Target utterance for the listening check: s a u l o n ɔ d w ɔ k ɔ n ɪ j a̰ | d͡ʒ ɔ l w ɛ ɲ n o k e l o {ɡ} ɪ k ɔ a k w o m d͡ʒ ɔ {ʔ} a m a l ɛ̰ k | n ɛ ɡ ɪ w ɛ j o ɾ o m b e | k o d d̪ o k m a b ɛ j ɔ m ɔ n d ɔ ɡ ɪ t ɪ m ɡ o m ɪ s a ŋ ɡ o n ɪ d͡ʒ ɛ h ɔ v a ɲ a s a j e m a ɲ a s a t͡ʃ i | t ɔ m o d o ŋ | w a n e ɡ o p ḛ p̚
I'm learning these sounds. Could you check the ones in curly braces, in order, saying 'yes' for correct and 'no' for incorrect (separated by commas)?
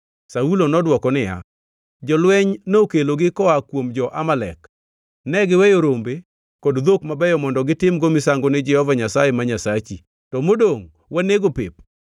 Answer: yes, yes